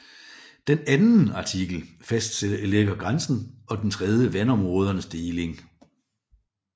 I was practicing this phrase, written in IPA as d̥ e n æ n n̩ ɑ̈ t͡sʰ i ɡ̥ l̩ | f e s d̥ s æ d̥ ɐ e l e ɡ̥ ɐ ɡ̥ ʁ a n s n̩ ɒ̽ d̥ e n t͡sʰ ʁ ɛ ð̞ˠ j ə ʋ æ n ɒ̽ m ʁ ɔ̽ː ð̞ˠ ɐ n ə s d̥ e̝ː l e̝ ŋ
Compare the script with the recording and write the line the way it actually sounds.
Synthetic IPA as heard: d̥ e n æ n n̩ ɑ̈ t͡sʰ i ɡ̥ l̩ | f æ s d̥ s e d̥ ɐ e l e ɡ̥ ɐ ɡ̥ ʁ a n s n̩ ɒ̽ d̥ e n t͡sʰ ʁ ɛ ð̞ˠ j ə ʋ æ n ɒ̽ m ʁ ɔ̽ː ð̞ˠ ɐ n ə s d̥ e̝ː l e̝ ŋ

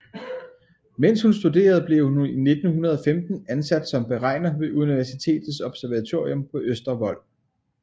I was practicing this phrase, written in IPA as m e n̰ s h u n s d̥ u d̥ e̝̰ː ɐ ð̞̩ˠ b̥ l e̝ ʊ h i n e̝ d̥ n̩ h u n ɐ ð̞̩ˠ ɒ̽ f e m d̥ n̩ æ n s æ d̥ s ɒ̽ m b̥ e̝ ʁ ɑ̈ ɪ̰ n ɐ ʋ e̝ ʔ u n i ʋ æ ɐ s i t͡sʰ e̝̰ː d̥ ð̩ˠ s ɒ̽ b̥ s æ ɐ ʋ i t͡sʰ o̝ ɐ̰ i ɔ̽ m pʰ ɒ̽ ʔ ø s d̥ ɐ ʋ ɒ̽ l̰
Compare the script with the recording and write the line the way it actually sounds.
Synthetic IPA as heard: m e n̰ s h u n s d̥ u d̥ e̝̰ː ɐ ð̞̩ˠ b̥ l e̝ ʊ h i n e̝ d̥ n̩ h u n ɐ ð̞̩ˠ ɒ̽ f e m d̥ n̩ æ n s æ d̥ s ɒ̽ m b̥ e̝ ʁ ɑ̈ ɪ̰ n ɐ ʋ e̝ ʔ u n i ʋ æ ɐ s i t͡sʰ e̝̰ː d̥ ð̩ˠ s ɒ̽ b̥ s æ ɐ ʋ æ t͡sʰ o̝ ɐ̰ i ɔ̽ m pʰ ɒ̽ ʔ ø s d̥ ɐ ʋ ɒ̽ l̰

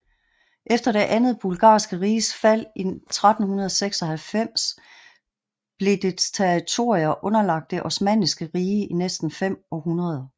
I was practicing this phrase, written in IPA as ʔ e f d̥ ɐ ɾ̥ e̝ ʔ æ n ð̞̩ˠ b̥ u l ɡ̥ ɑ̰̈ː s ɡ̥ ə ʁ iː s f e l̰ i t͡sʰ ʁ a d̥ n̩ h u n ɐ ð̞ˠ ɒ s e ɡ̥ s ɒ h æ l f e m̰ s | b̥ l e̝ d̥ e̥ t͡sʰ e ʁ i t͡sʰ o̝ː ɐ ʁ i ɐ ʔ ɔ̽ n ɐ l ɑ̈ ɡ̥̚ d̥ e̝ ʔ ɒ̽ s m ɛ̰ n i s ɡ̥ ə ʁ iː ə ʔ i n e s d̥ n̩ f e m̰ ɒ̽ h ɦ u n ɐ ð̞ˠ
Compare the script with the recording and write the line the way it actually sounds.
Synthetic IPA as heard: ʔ e f d̥ ɐ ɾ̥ e̝ ʔ æ n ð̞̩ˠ b̥ u l ɡ̥ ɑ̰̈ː s ɡ̥ ə ʁ iː s f æ l̰ i t͡sʰ ʁ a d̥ n̩ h u n ɐ ð̞ˠ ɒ s e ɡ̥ s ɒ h æ l f e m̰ s | b̥ l e̝ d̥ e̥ t͡sʰ e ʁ i t͡sʰ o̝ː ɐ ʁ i ɐ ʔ ɔ̽ n ɐ l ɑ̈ ɡ̥̚ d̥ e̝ ʔ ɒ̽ s m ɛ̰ n i s ɡ̥ ə ʁ iː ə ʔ i n e s d̥ n̩ f e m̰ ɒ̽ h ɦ u n ɐ ð̞ˠ

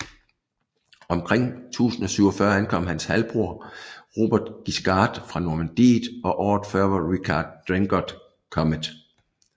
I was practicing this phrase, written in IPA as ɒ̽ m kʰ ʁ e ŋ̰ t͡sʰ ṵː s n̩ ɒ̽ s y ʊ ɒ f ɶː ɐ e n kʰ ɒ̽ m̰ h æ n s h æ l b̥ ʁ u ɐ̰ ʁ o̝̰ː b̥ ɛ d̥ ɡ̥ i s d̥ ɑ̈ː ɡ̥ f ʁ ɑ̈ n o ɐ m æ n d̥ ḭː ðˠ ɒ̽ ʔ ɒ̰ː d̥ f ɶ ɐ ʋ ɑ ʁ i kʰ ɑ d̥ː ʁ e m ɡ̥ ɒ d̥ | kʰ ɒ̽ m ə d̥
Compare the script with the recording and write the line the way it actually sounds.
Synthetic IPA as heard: ɒ̽ m kʰ ʁ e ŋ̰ t͡sʰ ṵː s n̩ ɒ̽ s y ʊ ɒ f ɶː ɐ æ n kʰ ɒ̽ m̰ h æ n s h æ l b̥ ʁ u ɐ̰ ʁ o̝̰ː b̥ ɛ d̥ ɡ̥ i s ɡ̥ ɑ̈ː d̥ f ʁ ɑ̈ n o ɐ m æ n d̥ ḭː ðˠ ɒ̽ ʔ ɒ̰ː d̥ f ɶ ɐ ʋ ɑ ʁ i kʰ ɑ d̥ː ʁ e ŋ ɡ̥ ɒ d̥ | kʰ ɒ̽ m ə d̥

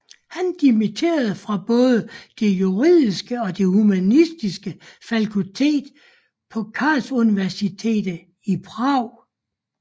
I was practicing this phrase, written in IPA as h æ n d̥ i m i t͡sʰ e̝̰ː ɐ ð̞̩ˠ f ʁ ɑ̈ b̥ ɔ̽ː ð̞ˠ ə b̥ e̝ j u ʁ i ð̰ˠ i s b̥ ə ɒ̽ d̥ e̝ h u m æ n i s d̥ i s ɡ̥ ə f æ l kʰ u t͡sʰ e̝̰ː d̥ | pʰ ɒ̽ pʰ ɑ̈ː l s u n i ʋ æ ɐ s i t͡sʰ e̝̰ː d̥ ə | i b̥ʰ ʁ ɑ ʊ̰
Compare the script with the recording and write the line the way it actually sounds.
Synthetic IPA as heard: h æ n d̥ i m i t͡sʰ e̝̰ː ɐ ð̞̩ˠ f ʁ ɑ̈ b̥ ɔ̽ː ð̞ˠ ə d̥ e̝ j u ʁ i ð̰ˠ i s ɡ̥ ə ɒ̽ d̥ e̝ h u m æ n i s d̥ i s ɡ̥ ə f æ l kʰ u t͡sʰ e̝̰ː d̥ | pʰ ɒ̽ kʰ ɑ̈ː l s u n i ʋ æ ɐ s i t͡sʰ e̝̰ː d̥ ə | i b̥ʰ ʁ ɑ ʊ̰

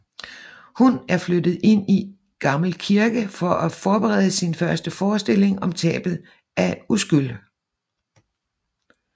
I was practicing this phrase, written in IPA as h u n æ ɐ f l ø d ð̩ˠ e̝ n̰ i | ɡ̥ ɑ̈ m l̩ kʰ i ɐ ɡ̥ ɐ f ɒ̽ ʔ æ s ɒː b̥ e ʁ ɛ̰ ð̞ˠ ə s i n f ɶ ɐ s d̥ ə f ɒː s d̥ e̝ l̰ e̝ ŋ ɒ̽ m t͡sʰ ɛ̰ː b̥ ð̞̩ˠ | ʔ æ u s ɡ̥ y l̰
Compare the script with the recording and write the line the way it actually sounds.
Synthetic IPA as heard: h u n æ ɐ f l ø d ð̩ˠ e̝ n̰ i | ɡ̥ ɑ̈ m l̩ kʰ i ɐ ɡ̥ ə f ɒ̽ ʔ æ f ɒː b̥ e ʁ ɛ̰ ð̞ˠ ə s i n f ɶ ɐ s d̥ ə f ɒː s d̥ e̝ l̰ e̝ ŋ ɒ̽ m t͡sʰ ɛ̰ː b̥ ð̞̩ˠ | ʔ æ u s ɡ̥ y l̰

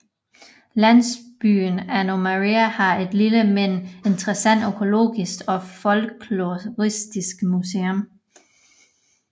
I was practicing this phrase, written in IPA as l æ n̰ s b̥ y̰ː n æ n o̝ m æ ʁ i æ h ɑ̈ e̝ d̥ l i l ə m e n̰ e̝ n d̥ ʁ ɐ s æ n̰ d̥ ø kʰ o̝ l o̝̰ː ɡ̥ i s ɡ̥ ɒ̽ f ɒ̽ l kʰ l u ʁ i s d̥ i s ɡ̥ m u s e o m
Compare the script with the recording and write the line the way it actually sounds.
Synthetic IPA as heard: l æ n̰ s b̥ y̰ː n æ n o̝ m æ ʁ i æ h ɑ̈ e̝ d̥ l i l ə m e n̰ e̝ n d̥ ʁ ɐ s æ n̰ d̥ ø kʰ o̝ l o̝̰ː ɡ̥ i s ɡ̥ ɒ̽ f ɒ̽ l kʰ l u ʁ i s d̥ i s ɡ̥ m u s e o m

